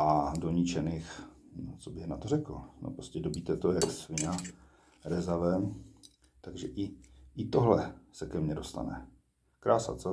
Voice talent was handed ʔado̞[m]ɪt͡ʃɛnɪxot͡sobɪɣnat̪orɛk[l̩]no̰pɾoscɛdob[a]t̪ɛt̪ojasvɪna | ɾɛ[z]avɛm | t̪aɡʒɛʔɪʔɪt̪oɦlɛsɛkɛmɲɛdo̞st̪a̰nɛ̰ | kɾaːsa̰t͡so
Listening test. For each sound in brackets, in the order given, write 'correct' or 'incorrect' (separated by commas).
incorrect, correct, incorrect, correct